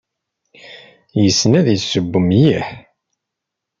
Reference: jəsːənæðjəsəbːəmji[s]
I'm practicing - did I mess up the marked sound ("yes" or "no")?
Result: yes